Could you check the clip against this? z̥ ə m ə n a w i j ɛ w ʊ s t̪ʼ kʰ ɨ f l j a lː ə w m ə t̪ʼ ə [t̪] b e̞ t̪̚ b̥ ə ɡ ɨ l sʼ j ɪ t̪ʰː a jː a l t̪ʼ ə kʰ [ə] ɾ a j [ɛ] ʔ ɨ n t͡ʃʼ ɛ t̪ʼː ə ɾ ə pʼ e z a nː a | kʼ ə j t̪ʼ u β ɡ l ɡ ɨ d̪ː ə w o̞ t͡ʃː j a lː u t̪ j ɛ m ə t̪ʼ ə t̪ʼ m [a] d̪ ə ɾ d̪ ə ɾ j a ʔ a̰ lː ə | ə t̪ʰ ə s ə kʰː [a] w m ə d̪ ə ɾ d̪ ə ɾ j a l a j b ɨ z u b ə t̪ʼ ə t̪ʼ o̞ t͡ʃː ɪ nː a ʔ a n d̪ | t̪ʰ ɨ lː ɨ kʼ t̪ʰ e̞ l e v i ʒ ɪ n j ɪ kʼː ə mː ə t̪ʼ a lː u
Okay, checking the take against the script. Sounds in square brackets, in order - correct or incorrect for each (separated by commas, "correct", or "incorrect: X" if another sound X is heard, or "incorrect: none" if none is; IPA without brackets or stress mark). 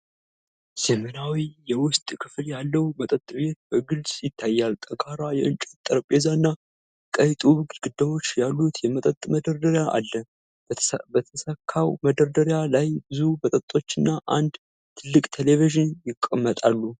incorrect: t̪ʼ, incorrect: a, correct, incorrect: ə, correct